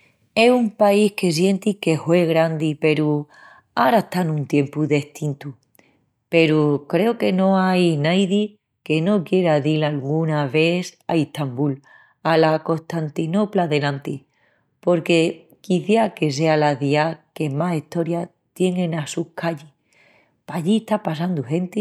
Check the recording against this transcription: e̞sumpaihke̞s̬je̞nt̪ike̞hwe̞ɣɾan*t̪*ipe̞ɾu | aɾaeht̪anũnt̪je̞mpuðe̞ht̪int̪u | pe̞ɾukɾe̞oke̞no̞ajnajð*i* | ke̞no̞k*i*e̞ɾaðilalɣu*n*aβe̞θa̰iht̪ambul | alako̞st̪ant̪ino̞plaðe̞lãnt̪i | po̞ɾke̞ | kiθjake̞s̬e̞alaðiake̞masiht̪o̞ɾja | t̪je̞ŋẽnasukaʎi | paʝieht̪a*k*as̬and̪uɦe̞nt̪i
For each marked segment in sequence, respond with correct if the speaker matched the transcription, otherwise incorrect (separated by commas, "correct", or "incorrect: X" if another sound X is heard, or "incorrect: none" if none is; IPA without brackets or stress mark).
incorrect: d̪, correct, incorrect: j, correct, incorrect: p